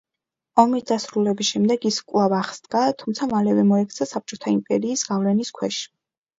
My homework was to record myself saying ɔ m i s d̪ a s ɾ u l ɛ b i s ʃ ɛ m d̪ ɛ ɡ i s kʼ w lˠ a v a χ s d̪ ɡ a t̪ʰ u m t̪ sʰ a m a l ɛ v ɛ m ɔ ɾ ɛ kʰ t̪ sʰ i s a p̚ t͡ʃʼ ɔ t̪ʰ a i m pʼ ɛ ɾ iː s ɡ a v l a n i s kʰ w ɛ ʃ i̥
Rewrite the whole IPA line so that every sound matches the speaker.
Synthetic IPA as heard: ɔ m i s d̪ a s ɾ u l ɛ b i s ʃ ɛ m d̪ ɛ ɡ i s kʼ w lˠ a v a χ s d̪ ɡ a t̪ʰ u m t̪ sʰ a m a l ɛ v ɛ m ɔ ɛ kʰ t̪ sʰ a s a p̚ t͡ʃʼ ɔ t̪ʰ a i m pʼ ɛ ɾ iː s ɡ a v l ɛ n i s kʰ w ɛ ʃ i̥